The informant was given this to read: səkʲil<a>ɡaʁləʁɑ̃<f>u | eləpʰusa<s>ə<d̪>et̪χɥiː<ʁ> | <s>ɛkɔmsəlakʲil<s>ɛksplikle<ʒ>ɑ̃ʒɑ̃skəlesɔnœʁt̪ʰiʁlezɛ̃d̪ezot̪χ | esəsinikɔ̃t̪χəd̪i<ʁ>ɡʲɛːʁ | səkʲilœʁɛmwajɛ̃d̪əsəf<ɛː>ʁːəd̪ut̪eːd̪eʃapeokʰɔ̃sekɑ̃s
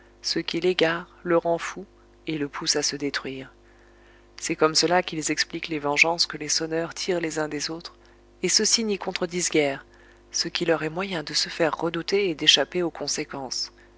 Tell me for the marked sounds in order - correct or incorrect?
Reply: incorrect, correct, correct, correct, correct, correct, incorrect, incorrect, incorrect, incorrect

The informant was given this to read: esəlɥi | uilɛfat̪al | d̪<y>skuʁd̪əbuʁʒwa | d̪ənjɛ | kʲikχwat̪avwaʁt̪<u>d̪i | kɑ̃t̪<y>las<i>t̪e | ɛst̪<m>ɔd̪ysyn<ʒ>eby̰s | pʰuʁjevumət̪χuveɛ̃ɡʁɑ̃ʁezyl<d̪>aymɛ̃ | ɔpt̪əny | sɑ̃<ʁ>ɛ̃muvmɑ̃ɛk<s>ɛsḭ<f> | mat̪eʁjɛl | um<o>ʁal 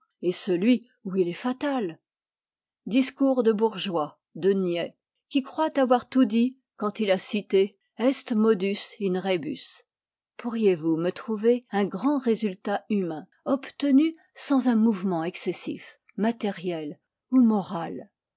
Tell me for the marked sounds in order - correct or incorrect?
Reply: incorrect, correct, incorrect, correct, correct, incorrect, incorrect, incorrect, correct, correct, incorrect

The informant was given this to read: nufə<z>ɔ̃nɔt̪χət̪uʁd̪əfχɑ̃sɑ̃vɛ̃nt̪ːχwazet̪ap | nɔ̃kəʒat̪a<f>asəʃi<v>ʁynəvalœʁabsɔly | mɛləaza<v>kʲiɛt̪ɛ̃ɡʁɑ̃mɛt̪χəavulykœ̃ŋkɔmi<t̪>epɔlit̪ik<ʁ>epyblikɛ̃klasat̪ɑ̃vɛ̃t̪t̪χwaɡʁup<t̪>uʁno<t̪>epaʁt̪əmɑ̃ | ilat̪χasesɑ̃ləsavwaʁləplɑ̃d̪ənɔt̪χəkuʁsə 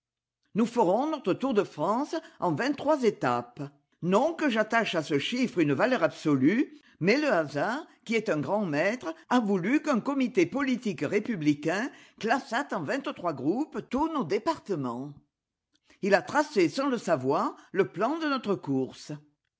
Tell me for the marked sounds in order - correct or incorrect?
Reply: incorrect, incorrect, incorrect, incorrect, correct, correct, correct, incorrect

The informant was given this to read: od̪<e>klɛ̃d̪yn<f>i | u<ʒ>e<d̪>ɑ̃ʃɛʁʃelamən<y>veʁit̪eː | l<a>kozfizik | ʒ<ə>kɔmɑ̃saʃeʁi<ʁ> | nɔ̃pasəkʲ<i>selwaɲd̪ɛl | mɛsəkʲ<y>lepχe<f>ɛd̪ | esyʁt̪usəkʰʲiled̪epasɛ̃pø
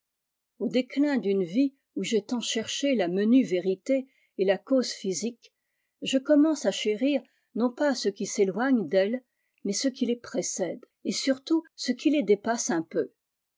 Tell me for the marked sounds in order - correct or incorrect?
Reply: correct, incorrect, correct, incorrect, correct, correct, correct, correct, correct, incorrect, incorrect

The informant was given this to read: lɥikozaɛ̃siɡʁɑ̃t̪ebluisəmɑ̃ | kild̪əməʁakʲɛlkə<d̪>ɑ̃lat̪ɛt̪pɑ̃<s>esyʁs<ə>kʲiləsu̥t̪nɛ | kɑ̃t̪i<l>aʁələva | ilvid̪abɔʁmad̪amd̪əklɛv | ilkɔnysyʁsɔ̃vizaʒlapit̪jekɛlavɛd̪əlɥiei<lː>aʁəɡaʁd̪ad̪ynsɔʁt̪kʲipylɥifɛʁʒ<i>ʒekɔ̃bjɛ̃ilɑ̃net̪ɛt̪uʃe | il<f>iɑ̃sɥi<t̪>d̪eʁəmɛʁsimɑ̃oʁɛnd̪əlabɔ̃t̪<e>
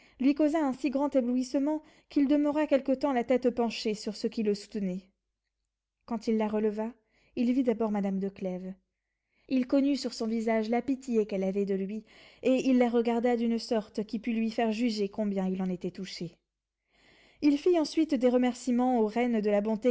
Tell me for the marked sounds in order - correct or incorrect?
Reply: incorrect, incorrect, correct, incorrect, correct, incorrect, correct, correct, correct

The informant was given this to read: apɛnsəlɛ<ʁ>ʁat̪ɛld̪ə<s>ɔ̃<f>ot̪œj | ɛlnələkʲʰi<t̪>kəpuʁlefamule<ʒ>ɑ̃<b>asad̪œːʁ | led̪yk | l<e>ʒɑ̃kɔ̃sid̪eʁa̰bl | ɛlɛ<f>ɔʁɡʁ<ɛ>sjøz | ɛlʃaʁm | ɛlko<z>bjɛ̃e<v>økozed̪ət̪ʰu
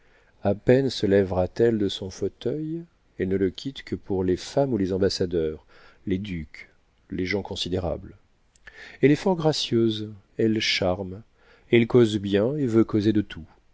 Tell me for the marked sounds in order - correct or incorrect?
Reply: incorrect, correct, correct, correct, incorrect, correct, correct, correct, incorrect, correct, correct

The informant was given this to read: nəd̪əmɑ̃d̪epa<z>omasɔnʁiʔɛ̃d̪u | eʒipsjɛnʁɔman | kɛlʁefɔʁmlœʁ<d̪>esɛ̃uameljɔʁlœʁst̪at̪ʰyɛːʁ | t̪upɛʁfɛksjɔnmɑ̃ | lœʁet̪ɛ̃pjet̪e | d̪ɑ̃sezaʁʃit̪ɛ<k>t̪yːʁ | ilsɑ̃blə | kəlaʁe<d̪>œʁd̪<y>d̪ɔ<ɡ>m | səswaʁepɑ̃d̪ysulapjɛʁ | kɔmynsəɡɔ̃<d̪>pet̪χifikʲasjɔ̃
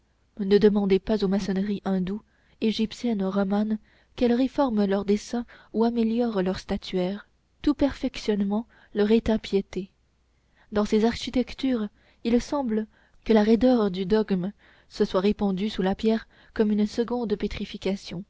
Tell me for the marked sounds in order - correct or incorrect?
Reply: correct, correct, correct, correct, correct, correct, correct

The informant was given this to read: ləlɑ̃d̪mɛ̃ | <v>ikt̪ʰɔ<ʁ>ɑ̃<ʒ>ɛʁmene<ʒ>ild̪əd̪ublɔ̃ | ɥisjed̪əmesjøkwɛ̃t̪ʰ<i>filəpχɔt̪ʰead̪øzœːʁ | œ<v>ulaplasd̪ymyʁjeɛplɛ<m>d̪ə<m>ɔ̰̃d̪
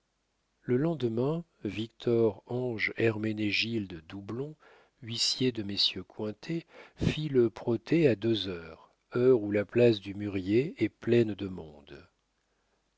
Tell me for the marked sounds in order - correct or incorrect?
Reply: correct, correct, correct, correct, incorrect, incorrect, incorrect, correct

